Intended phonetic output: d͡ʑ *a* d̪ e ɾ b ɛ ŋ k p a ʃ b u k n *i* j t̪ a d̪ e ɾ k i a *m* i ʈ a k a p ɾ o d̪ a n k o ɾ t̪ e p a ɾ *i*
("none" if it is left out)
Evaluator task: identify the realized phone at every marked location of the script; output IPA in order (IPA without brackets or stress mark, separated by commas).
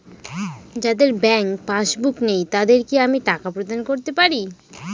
a, e, m, i